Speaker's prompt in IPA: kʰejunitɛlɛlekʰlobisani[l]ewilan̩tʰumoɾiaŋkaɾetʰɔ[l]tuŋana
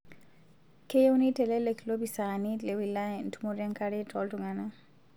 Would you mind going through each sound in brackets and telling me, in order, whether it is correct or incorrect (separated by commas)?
correct, correct